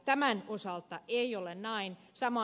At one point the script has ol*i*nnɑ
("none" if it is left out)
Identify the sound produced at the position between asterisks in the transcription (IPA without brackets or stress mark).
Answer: e